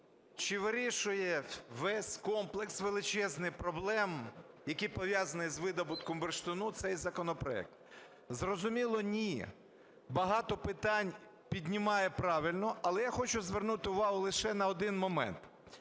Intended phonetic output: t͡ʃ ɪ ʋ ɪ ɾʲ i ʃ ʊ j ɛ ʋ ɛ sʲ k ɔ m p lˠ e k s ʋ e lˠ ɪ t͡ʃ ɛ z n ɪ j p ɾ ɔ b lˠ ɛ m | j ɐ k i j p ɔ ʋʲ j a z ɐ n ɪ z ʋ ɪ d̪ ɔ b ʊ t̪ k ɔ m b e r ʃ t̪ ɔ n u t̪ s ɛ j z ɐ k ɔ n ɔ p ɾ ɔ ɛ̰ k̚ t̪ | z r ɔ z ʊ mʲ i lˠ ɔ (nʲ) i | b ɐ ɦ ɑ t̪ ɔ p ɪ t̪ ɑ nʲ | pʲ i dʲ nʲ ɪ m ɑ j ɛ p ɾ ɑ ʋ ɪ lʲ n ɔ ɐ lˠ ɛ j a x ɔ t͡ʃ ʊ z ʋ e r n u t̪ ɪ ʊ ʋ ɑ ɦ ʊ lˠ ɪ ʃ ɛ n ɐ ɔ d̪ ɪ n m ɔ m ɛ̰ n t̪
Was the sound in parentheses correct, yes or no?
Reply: yes